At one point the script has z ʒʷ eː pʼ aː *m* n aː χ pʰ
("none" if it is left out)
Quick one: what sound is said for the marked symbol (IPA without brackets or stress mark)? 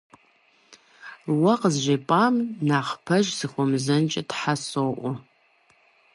m